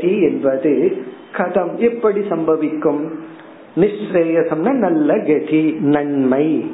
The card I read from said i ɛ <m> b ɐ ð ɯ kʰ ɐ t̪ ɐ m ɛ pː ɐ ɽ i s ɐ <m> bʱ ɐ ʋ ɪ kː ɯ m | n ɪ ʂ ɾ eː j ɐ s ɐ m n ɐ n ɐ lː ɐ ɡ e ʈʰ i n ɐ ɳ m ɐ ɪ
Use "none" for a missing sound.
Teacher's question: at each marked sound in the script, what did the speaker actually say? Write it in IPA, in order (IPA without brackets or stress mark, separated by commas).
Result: n, m